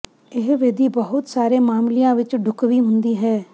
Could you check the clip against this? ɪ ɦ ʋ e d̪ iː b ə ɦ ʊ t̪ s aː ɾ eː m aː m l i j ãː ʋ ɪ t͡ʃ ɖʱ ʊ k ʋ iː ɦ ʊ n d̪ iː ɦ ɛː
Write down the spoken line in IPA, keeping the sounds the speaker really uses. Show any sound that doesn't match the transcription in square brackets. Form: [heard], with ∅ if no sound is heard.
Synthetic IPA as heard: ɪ ɦ ʋ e d̪ iː b ə ɦ ʊ t̪ s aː ɾ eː m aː m l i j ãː ʋ ɪ t͡ʃ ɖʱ ʊ k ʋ iː ɦ ʊ n d̪ iː ɦ ɛː